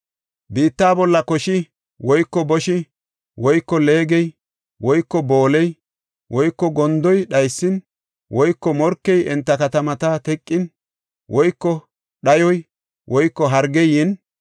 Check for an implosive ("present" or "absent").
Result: present